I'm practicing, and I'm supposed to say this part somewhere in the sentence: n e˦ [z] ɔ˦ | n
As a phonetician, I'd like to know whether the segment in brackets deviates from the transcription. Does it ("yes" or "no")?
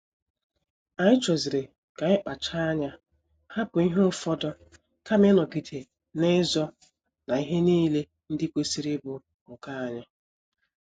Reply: no